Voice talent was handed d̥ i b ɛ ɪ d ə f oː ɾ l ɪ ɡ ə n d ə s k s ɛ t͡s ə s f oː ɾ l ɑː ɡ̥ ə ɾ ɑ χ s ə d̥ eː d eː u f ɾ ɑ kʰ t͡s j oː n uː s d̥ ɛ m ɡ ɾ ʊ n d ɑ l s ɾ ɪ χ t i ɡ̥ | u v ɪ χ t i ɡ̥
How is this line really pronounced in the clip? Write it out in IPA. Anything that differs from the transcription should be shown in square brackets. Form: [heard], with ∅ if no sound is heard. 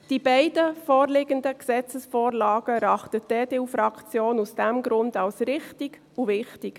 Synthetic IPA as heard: d̥ i b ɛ ɪ d ə f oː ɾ l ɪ ɡ ə n d ə [∅] k s ɛ t͡s ə s f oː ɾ l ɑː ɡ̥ ə ɾ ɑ χ [t] ə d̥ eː d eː u f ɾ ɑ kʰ t͡s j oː n [u] s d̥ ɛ m ɡ ɾ ʊ n d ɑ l s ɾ ɪ χ t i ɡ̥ | u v ɪ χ t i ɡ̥

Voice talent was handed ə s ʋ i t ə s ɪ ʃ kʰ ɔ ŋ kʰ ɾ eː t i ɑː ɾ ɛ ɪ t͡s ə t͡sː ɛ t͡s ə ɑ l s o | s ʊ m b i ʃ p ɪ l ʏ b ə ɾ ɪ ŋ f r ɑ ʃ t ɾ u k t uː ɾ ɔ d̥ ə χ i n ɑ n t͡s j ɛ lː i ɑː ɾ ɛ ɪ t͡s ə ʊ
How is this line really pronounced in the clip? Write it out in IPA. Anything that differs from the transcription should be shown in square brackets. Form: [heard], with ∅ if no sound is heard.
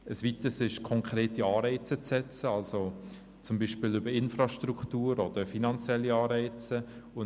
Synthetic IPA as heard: ə s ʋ i t ə s ɪ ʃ kʰ ɔ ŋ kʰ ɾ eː t i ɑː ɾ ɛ ɪ t͡s ə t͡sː ɛ t͡s ə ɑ l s o | [t͡s] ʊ m b i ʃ p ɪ l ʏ b ə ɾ ɪ [n] f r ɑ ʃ t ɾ u k t uː ɾ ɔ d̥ ə [f] i n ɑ n t͡s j ɛ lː i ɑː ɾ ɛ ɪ t͡s ə ʊ

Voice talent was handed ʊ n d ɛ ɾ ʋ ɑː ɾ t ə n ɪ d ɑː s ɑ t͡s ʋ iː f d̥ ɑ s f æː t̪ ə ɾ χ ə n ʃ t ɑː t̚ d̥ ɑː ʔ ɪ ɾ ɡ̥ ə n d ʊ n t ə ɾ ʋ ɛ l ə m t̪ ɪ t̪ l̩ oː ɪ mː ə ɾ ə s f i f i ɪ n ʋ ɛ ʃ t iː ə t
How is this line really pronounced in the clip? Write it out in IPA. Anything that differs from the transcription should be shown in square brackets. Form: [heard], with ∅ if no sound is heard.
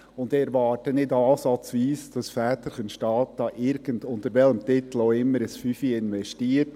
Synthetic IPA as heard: ʊ n d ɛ ɾ ʋ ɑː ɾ t ə n ɪ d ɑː s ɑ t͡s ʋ iː [s] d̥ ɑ s f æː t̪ ə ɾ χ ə n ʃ t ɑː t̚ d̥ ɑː ʔ ɪ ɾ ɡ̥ ə n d ʊ n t ə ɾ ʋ ɛ l ə m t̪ ɪ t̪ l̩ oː ɪ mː ə ɾ ə s f [y] f i ɪ n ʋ ɛ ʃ t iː ə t

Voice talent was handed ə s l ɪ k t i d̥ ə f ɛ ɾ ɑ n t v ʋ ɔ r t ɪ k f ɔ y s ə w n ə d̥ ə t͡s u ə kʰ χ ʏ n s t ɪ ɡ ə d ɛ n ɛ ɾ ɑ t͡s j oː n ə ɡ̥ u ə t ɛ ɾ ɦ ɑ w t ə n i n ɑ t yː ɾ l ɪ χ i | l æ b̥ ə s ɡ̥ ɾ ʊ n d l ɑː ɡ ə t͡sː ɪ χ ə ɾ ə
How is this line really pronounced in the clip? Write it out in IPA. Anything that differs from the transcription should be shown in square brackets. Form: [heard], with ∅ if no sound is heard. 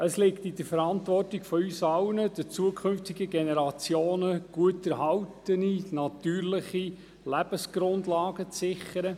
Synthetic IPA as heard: ə s l ɪ k t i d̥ ə f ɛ ɾ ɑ n t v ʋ ɔ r t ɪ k f ɔ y s [ɑ] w n ə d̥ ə t͡s u ə kʰ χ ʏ n [f] t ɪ ɡ ə [ɡ] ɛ n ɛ ɾ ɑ t͡s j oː n ə ɡ̥ u ə t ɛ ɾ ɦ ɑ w t ə n i n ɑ t yː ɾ l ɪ χ i | l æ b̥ ə s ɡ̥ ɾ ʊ n d l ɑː ɡ ə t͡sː ɪ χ ə ɾ ə

